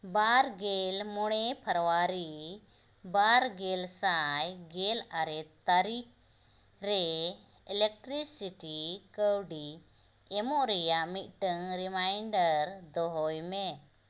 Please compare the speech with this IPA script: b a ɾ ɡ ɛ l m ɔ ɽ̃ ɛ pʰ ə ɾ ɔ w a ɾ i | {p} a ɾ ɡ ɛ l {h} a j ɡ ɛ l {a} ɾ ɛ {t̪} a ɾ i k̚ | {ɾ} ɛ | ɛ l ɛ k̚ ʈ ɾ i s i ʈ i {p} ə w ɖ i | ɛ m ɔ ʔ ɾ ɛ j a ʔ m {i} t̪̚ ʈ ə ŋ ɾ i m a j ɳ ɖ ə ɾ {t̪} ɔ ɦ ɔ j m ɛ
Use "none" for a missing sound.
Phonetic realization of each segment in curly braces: b, s, a, t̪, ɾ, k, i, d̪

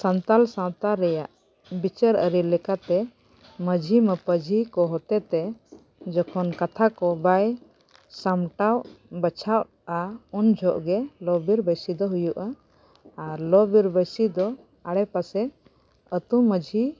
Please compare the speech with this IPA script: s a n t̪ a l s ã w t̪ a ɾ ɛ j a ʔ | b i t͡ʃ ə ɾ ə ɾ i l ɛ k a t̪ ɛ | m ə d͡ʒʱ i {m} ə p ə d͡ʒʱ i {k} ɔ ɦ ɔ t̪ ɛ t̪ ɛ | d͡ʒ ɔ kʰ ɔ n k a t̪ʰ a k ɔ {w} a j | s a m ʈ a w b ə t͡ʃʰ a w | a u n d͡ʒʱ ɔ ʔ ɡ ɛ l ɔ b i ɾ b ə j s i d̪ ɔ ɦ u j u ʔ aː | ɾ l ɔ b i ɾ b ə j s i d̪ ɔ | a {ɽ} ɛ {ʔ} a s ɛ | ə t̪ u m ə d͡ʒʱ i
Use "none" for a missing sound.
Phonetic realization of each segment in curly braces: m, k, b, ɽ, p

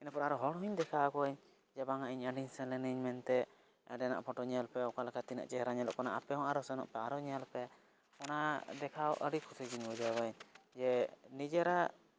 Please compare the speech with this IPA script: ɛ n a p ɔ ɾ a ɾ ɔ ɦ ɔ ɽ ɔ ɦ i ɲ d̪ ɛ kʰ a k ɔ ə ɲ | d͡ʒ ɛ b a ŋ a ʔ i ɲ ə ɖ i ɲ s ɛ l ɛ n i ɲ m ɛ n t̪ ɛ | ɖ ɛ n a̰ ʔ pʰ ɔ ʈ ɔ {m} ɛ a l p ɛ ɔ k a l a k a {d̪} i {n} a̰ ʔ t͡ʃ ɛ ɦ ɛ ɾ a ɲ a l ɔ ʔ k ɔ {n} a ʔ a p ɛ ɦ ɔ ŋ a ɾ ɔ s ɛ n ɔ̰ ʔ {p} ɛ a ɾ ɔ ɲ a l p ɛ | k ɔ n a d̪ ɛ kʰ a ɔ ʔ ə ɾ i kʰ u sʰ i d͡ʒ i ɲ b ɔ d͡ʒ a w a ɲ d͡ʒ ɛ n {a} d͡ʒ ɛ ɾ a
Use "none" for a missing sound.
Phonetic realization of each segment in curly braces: ɲ, t̪, n, n, p, i

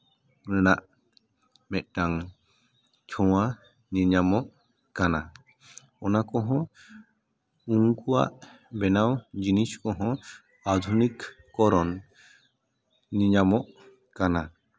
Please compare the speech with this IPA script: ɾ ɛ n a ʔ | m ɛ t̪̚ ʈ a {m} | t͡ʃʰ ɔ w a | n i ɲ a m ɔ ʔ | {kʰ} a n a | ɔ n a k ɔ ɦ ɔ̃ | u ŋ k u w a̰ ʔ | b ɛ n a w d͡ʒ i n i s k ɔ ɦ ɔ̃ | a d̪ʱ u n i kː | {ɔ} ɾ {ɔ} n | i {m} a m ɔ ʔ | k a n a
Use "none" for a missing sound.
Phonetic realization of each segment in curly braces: ŋ, k, ɔ, ɔ, ɲ

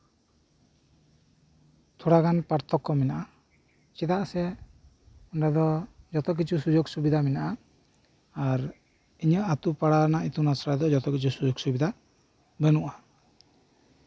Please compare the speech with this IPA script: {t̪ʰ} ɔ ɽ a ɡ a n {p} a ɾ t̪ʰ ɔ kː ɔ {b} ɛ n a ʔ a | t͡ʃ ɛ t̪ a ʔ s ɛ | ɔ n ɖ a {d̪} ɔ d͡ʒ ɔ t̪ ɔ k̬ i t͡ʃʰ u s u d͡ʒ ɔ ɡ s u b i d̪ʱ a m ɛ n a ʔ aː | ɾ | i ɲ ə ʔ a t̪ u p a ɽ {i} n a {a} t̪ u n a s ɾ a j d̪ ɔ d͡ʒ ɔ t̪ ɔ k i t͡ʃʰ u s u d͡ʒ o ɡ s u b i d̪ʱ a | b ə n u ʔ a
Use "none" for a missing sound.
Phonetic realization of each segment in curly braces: t̪ʰ, p, m, d̪, a, i

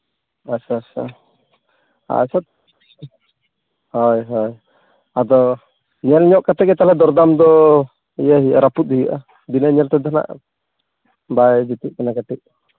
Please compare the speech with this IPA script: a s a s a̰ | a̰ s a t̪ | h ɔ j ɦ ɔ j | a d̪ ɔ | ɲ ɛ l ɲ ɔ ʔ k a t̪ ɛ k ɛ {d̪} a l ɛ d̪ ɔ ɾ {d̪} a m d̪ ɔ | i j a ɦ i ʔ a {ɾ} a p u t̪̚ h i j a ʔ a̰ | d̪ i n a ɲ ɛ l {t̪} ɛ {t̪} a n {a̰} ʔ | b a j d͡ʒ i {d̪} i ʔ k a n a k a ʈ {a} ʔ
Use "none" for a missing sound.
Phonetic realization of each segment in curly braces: t̪, d̪, ɾ, t̪, d̪, a̰, t̪, i

